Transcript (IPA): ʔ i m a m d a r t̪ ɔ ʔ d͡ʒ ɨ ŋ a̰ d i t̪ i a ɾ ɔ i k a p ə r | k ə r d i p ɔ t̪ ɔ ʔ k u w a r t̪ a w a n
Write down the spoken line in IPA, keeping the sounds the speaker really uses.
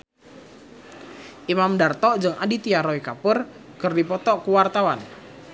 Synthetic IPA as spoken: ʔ i m a m d a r t̪ ɔ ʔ d͡ʒ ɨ ŋ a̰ d i t̪ i a ɾ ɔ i k a p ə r | k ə r d i p ɔ t̪ ɔ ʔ k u w a r t̪ a w a n